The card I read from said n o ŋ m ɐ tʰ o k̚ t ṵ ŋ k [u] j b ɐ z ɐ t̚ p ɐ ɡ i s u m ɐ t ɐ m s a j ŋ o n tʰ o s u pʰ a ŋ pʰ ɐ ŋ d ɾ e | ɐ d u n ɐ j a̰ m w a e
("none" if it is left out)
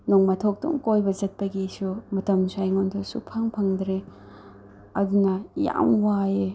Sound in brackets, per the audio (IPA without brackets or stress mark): o